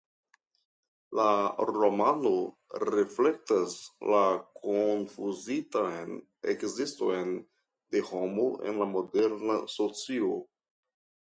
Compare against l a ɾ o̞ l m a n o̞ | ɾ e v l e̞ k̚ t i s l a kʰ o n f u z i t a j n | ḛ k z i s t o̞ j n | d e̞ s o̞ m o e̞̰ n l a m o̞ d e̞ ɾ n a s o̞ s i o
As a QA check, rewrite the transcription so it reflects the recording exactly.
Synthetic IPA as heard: l a ɾ o̞ m a n o̞ | ɾ e f l e̞ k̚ t a s l a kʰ o n f u z i t a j n | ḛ k z i s t o̞ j n | d e̞ h o̞ m o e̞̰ n l a m o̞ d e̞ ɾ n a s o̞ t͡s i o